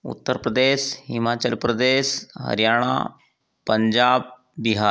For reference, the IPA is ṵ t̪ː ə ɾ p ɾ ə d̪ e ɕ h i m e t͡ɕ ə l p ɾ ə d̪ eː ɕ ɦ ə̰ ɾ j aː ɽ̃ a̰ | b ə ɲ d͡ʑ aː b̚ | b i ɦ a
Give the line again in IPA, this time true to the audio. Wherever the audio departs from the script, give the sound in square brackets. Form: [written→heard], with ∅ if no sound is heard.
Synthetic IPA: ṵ t̪ː ə ɾ p ɾ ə d̪ e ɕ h i m [e→a] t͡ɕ ə l p ɾ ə d̪ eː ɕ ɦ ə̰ ɾ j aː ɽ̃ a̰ | [b→p] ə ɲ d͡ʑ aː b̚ | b i ɦ a